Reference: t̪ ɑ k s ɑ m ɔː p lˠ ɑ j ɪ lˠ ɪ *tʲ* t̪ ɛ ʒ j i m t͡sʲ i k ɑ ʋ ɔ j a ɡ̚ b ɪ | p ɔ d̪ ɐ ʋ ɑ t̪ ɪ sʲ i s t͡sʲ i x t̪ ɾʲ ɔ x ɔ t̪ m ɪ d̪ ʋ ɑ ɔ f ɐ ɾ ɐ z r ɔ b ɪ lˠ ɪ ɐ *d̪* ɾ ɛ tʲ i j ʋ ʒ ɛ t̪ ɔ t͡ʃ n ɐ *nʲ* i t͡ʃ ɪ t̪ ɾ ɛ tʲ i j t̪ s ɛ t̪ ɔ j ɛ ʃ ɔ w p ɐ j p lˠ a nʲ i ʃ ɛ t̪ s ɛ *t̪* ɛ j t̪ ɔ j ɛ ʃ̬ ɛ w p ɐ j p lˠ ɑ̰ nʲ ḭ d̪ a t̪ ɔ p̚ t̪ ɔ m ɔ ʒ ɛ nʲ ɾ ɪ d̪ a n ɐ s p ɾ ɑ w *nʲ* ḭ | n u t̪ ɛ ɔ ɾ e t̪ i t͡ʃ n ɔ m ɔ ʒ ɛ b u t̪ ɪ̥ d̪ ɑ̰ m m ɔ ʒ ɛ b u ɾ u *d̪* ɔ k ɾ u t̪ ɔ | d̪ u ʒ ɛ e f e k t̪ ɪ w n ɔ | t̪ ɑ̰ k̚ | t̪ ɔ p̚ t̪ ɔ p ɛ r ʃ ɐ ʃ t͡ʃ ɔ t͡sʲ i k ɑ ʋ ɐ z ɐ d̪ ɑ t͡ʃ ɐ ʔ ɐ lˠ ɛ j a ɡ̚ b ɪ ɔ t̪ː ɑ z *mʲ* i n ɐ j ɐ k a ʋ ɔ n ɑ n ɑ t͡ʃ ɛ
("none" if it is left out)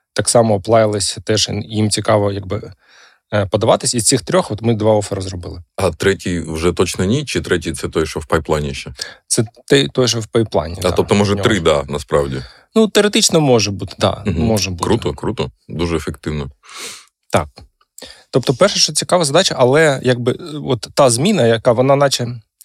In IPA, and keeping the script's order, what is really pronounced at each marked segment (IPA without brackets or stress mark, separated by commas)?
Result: sʲ, t̪, nʲ, t̪, dʲ, t̪, mʲ